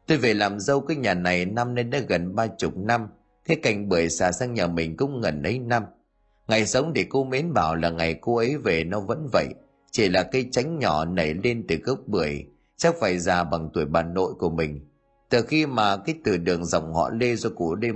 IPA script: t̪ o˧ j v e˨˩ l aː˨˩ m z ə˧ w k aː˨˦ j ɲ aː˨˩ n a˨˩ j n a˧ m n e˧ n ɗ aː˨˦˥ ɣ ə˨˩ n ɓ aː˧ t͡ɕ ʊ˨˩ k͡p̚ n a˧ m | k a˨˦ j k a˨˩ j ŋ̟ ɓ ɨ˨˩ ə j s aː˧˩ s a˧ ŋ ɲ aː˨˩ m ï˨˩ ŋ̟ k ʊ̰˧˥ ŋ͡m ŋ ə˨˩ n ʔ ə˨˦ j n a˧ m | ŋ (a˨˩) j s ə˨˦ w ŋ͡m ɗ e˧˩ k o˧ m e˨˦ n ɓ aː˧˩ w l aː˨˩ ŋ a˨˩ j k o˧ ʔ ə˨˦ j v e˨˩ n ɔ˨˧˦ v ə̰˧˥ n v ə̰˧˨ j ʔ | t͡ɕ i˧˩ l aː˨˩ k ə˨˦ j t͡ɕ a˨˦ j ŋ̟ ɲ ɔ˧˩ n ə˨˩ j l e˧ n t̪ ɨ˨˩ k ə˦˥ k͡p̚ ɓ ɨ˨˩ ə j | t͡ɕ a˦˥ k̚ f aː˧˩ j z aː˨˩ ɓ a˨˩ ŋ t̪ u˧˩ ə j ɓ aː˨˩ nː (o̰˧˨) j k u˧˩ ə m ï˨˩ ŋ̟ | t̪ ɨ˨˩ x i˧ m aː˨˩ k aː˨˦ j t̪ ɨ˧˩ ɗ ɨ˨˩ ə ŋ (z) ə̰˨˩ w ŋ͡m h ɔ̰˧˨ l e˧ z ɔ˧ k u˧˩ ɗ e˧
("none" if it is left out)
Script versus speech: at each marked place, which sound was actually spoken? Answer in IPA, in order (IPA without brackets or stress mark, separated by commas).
a˨˩, o̰˧˨, z